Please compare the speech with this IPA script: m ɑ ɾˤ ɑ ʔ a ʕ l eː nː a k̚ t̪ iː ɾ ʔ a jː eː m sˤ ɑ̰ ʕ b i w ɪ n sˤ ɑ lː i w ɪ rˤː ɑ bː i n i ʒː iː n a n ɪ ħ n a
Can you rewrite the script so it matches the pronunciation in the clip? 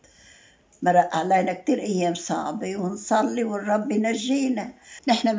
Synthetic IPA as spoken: m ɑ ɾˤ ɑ ʔ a ʕ l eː n a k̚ t̪ iː ɾ ʔ a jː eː m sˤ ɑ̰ ʕ b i w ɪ n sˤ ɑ lː i w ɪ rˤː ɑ bː i n a ʒː iː n a n ɪ ħ n a